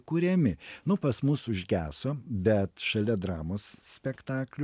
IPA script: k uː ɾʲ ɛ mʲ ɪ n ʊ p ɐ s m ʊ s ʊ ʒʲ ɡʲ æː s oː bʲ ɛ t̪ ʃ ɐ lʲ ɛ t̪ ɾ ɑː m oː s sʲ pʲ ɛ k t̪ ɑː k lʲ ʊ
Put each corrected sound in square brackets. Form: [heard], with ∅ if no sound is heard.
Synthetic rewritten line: k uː ɾʲ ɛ mʲ ɪ n ʊ p ɐ s m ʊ s ʊ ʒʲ ɡʲ æː s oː bʲ ɛ t̪ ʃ ɐ lʲ ɛ [d̪] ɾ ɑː m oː s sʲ pʲ ɛ k t̪ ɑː k lʲ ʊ